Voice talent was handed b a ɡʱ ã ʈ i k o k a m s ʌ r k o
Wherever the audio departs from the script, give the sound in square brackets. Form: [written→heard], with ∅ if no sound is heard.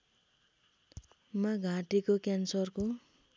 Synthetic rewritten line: [b→m] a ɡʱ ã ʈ i k o k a [m→n] s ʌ r k o